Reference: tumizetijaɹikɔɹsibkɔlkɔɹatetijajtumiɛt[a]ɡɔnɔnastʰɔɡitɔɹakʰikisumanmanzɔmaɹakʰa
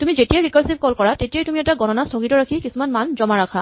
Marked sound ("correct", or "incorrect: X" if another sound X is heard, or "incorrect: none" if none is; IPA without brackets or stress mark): correct